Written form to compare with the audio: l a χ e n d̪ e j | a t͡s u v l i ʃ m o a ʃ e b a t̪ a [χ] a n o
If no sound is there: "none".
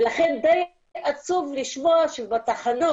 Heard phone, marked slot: χ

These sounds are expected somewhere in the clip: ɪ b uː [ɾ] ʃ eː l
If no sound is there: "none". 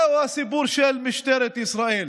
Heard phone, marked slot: ɾ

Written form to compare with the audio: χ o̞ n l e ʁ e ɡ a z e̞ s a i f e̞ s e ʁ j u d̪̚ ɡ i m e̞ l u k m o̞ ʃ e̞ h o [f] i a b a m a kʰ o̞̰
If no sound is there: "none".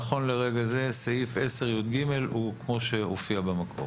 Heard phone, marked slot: f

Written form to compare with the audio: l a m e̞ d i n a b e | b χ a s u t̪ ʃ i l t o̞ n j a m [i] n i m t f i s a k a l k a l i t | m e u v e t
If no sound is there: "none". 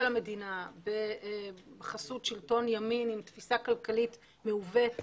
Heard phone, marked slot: i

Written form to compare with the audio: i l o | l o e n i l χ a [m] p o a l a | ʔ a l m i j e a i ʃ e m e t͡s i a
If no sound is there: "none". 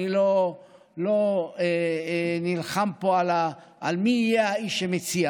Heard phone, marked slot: m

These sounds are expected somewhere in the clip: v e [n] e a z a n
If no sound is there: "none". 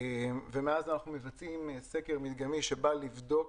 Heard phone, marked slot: m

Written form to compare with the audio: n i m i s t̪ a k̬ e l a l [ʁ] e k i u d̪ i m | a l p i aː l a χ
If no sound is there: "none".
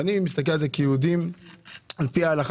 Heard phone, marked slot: z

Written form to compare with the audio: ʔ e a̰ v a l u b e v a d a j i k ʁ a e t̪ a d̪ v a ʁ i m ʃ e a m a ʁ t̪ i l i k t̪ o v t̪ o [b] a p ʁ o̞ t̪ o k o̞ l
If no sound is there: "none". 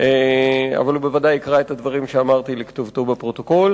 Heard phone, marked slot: b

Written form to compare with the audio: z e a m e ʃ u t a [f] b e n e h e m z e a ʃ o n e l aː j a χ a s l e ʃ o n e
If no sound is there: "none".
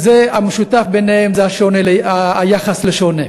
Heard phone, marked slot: f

